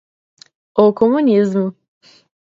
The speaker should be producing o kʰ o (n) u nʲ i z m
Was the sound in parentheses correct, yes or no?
no